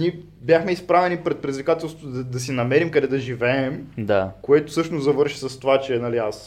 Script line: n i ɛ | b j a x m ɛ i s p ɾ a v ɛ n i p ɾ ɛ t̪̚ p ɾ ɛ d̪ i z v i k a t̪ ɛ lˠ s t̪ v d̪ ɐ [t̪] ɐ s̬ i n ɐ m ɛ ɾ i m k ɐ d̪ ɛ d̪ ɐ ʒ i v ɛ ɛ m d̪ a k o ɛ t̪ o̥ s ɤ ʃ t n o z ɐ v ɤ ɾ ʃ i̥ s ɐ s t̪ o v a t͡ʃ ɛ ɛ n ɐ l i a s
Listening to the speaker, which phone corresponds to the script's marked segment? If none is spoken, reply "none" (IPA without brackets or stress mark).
d̪